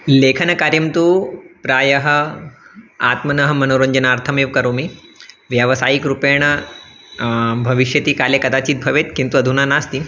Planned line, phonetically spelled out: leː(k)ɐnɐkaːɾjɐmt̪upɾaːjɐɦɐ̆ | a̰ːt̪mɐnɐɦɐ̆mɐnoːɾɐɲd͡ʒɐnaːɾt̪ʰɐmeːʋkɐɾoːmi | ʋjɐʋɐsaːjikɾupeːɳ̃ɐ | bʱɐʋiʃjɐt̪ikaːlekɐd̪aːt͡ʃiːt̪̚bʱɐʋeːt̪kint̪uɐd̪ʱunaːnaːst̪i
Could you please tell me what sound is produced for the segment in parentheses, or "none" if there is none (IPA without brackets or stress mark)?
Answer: kʰ